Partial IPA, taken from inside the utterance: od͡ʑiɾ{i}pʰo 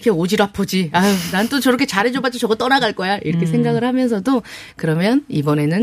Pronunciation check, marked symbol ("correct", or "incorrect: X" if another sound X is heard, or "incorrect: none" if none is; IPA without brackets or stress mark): incorrect: a